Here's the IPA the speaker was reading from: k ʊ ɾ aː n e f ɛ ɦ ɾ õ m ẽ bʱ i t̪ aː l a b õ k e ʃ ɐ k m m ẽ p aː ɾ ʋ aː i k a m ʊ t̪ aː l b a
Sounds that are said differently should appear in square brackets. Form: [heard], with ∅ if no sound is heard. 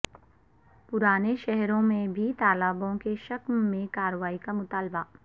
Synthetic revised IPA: [p] ʊ ɾ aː n e [ʃ] ɛ ɦ ɾ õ m ẽ bʱ i t̪ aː l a b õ k e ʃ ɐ k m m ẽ [k] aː ɾ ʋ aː i k a m ʊ t̪ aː l b a